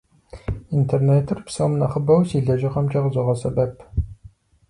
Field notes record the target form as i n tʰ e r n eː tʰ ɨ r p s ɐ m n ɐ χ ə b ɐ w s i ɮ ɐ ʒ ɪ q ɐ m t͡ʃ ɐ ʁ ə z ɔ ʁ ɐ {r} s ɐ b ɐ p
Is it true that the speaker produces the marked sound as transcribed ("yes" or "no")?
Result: no